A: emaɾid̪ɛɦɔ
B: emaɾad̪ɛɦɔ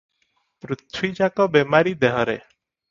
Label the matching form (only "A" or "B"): A